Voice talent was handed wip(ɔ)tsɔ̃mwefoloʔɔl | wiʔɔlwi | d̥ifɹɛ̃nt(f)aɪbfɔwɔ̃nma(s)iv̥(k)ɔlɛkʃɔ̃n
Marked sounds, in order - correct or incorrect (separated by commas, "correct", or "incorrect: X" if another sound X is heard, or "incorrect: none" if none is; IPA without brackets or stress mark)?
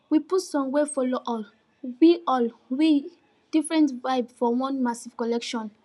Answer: incorrect: u, incorrect: v, correct, correct